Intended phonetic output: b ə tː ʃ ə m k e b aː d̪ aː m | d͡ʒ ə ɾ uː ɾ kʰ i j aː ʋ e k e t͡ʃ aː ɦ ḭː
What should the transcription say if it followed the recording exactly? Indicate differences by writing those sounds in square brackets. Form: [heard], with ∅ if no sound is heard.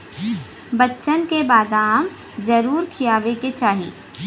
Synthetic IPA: b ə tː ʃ ə [n] k e b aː d̪ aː m | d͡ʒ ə ɾ uː ɾ kʰ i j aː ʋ e k e t͡ʃ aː ɦ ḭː